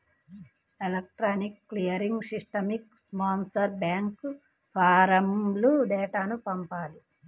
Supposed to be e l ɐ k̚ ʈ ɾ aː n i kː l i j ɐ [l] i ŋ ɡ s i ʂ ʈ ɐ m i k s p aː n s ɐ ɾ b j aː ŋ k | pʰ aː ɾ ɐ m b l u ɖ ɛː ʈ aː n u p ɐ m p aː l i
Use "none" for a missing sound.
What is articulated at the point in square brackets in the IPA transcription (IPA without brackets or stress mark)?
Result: ɾ